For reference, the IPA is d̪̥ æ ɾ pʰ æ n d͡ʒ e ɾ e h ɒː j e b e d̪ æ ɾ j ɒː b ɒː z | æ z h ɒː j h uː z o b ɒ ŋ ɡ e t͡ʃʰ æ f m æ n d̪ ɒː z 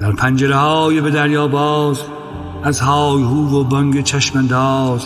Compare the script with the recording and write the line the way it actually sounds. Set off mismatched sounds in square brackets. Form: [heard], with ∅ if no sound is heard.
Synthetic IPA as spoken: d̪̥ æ ɾ pʰ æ n d͡ʒ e ɾ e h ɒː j e b e d̪ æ ɾ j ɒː b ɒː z | æ z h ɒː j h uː [v] o b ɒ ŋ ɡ e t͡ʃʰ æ [ʃ] m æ n d̪ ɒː z